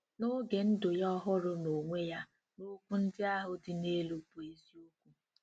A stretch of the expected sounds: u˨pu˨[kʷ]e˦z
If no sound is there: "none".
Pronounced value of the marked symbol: none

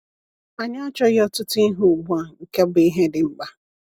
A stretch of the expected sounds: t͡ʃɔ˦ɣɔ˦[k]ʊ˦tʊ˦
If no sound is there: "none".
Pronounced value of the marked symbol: t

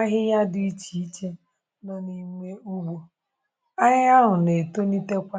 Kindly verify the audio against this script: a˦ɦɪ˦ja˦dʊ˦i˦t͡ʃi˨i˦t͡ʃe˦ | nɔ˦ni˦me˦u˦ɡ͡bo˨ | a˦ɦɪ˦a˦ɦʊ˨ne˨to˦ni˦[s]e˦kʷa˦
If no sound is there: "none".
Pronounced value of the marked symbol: t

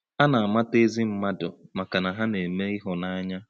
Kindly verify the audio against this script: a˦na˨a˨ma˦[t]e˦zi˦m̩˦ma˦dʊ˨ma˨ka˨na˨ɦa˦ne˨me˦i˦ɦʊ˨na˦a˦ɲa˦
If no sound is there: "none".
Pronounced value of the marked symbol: t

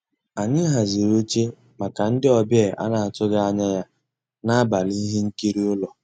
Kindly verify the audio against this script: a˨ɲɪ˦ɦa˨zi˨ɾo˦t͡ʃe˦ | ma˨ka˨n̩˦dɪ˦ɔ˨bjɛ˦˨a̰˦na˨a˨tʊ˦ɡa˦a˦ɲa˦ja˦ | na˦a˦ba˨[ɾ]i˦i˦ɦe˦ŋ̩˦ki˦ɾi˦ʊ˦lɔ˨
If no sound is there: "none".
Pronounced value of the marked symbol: l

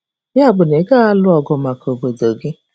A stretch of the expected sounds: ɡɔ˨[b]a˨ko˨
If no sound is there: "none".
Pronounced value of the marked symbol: m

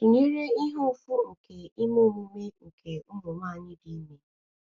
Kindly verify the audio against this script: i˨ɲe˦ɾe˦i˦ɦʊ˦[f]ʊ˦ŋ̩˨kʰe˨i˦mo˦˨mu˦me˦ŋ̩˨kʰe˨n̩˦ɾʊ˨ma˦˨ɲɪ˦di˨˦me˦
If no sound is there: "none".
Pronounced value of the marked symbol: f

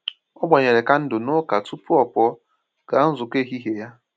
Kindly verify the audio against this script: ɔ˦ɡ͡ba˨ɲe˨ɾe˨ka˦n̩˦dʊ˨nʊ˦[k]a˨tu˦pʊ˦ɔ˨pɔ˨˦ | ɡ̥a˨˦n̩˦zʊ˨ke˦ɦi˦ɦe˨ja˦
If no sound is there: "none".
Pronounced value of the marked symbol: k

